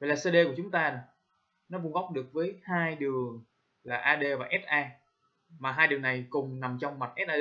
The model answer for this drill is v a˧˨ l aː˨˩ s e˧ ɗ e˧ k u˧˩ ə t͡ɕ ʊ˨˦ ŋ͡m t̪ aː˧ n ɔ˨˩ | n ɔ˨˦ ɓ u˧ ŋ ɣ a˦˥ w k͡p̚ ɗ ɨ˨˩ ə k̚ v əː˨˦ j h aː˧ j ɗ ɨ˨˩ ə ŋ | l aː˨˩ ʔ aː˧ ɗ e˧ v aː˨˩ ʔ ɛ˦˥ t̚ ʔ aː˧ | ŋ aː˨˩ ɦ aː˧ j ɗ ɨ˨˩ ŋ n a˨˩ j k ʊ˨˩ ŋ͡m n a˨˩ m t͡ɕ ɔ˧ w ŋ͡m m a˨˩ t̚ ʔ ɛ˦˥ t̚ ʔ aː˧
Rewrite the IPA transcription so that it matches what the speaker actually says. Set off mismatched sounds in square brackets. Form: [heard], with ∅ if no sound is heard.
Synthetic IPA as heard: v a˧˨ l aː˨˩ s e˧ ɗ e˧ k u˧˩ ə t͡ɕ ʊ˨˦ ŋ͡m t̪ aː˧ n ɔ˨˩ | n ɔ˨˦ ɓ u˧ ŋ ɣ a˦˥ w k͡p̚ ɗ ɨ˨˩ ə k̚ v əː˨˦ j h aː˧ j ɗ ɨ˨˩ ə ŋ | l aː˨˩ ʔ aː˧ ɗ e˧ v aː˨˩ ʔ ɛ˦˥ t̚ ʔ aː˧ | [m] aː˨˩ ɦ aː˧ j ɗ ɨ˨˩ ŋ n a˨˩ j k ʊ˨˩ ŋ͡m n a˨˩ m t͡ɕ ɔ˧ w ŋ͡m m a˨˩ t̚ ʔ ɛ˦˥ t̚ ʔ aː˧